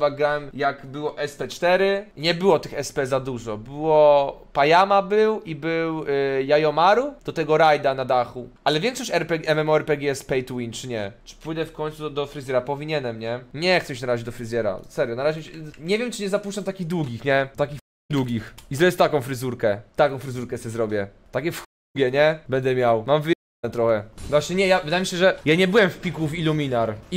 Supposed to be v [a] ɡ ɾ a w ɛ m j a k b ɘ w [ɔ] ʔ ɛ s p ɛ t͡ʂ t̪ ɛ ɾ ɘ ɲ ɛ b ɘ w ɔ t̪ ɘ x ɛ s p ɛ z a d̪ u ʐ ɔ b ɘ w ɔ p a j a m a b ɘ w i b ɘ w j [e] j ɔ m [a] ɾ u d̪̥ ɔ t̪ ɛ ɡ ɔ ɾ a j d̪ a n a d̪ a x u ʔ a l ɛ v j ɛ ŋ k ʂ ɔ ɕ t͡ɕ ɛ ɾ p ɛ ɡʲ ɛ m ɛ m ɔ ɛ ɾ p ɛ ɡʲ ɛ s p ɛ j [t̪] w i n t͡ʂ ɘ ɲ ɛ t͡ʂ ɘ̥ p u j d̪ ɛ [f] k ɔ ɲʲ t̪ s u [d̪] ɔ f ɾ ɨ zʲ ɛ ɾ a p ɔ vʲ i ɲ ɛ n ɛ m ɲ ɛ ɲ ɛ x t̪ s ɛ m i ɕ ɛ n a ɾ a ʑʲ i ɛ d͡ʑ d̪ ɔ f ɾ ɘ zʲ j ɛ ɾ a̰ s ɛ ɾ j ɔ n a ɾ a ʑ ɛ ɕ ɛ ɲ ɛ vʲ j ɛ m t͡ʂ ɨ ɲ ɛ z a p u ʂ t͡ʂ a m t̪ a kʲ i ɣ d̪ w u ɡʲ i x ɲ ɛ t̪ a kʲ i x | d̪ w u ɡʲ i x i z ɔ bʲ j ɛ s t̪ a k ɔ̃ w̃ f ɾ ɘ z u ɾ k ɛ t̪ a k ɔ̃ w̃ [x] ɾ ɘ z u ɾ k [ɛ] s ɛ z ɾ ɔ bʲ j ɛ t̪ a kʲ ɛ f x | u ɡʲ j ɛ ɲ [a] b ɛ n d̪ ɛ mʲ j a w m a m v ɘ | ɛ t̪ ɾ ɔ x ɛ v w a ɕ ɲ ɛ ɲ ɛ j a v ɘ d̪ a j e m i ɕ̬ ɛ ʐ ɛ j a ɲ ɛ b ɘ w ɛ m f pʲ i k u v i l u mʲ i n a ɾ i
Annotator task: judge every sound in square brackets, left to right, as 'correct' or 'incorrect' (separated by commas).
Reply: correct, correct, incorrect, correct, correct, correct, correct, incorrect, correct, incorrect